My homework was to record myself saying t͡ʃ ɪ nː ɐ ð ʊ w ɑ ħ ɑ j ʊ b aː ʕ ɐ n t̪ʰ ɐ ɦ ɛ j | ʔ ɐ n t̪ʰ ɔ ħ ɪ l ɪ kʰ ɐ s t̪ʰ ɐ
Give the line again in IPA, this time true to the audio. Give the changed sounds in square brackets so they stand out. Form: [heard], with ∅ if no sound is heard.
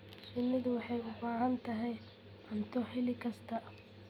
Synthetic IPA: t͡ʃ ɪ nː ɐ ð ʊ w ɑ ħ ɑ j ʊ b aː ʕ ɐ n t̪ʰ ɐ ɦ ɛ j | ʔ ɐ n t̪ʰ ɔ ħ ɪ l ɪ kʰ ɐ s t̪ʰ ɐ